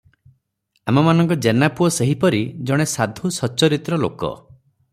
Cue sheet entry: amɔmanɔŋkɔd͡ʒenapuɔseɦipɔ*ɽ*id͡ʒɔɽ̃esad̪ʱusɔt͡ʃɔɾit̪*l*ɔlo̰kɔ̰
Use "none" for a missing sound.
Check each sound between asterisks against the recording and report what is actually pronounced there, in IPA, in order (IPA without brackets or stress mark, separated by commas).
ɾ, ɾ